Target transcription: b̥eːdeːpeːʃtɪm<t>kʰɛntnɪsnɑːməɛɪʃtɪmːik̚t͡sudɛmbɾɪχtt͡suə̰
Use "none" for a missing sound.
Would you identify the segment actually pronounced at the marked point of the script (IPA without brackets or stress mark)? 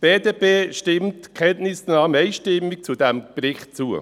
t